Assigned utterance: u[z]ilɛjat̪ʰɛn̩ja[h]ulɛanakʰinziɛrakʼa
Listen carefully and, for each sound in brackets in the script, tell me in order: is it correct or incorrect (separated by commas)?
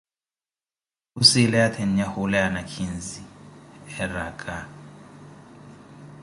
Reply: incorrect, correct